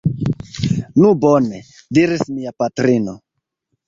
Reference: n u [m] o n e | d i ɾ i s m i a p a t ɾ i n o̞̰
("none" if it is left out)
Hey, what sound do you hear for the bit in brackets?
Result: b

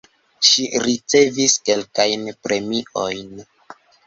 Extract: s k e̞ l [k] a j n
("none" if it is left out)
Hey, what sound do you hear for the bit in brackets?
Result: k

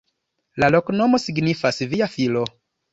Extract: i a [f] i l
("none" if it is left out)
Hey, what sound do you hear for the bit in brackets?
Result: f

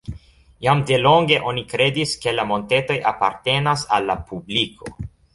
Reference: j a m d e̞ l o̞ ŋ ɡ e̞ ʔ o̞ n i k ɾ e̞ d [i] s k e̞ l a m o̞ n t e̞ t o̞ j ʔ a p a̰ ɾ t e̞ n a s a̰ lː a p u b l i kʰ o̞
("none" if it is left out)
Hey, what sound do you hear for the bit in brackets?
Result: i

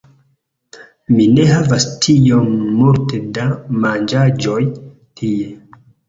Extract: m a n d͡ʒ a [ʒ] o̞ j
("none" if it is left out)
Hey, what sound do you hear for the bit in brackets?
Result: d͡ʒ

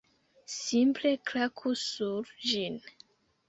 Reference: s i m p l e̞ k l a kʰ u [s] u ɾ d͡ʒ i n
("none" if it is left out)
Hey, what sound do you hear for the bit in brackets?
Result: s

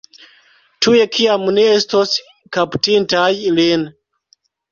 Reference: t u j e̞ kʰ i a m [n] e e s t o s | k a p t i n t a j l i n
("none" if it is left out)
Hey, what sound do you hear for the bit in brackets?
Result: n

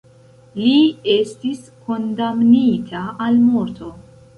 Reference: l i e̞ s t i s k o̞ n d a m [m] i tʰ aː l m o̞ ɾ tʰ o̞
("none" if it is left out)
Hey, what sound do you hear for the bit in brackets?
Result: n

